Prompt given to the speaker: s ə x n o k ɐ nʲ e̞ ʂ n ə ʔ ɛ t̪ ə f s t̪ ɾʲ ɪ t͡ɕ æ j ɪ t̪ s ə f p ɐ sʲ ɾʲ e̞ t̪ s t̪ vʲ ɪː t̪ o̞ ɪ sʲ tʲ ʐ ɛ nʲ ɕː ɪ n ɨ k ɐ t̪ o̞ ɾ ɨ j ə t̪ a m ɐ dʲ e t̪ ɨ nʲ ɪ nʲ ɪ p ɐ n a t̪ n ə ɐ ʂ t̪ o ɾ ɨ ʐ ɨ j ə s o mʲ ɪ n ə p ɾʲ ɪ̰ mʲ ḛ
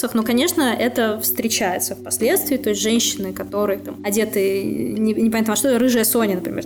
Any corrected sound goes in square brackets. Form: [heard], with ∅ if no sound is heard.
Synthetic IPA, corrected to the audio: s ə x n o k ɐ nʲ e̞ ʂ n ə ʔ ɛ t̪ ə f s t̪ ɾʲ ɪ t͡ɕ æ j ɪ t̪ s ə f p ɐ sʲ [lʲ] e̞ t̪ s t̪ vʲ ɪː t̪ o̞ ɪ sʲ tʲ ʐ ɛ nʲ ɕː ɪ n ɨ k ɐ t̪ o̞ ɾ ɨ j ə t̪ a m ɐ dʲ e t̪ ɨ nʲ ɪ nʲ ɪ p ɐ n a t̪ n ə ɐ ʂ t̪ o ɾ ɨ ʐ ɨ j ə s o [nʲ] ɪ n ə p ɾʲ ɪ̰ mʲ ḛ